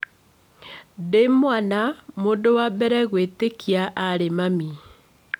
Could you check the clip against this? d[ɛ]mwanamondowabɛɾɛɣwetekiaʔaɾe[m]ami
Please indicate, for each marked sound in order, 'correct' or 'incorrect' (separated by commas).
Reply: incorrect, correct